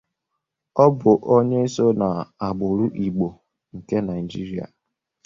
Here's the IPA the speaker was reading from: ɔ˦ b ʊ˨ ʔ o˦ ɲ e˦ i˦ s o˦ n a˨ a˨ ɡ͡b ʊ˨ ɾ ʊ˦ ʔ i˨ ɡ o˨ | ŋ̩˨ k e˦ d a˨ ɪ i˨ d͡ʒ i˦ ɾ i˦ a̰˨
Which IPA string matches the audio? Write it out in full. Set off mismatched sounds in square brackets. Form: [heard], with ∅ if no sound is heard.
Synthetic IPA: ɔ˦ b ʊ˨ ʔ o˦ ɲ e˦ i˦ s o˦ n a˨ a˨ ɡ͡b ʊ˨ ɾ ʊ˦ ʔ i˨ [ɡ͡b] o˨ | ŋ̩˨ k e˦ [n] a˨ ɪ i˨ d͡ʒ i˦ ɾ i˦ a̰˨